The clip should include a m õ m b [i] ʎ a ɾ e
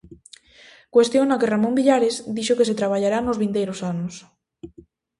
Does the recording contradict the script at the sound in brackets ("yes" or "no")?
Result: no